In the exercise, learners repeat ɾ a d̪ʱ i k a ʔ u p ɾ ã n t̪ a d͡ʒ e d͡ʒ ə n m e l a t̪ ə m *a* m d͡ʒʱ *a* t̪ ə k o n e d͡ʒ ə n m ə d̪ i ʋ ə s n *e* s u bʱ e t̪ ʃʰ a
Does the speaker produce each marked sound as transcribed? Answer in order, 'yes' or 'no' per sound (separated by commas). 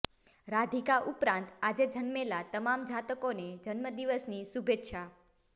yes, yes, no